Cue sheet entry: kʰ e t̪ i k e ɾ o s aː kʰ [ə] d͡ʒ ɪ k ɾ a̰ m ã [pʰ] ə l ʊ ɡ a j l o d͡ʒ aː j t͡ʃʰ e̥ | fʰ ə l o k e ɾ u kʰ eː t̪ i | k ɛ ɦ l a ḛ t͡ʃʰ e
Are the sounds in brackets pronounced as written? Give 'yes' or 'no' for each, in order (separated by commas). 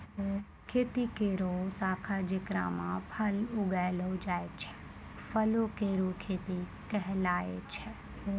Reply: no, yes